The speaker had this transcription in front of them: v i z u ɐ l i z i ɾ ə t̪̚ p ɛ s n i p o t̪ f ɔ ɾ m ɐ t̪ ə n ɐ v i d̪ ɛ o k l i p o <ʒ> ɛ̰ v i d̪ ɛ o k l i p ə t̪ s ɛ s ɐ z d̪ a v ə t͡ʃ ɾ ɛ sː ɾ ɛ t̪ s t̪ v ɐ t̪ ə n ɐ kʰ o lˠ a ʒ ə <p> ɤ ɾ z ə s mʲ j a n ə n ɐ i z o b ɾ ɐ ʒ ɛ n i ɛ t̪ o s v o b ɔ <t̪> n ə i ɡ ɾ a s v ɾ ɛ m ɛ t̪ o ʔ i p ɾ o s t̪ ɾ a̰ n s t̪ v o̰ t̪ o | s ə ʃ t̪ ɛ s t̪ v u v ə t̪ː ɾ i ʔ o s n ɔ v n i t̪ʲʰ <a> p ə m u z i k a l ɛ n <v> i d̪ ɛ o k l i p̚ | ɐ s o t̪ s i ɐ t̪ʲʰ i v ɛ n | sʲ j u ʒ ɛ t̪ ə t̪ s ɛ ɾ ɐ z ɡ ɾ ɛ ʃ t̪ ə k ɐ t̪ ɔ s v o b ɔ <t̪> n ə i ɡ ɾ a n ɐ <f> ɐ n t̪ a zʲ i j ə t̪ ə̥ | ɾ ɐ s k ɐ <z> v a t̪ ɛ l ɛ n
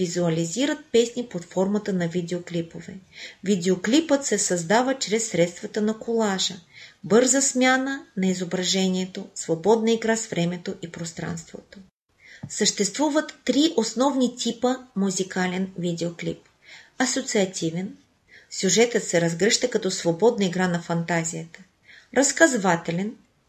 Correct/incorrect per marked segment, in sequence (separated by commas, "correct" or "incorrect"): incorrect, incorrect, incorrect, incorrect, correct, incorrect, correct, correct